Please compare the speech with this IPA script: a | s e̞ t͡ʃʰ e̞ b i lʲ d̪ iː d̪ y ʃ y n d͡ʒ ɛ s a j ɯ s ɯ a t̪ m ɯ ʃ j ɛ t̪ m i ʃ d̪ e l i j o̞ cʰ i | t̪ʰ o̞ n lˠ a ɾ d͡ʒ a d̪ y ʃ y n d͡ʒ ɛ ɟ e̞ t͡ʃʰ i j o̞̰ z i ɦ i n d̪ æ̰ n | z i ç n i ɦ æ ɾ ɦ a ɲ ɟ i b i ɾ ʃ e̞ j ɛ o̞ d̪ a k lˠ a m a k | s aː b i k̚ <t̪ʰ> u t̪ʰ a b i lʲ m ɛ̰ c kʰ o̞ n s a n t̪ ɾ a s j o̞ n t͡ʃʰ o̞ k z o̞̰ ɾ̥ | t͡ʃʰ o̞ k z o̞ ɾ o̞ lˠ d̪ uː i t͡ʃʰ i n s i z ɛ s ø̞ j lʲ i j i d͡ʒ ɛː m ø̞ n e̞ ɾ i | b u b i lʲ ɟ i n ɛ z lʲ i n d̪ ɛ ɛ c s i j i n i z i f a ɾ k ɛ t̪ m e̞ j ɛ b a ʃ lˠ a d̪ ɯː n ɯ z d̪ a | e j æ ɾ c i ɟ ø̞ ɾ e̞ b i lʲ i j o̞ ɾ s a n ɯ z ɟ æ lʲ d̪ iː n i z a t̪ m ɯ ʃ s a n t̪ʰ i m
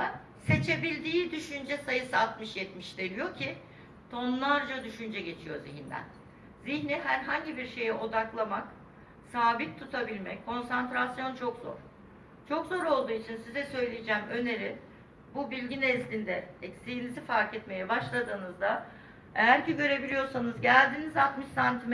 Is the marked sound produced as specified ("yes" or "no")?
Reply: yes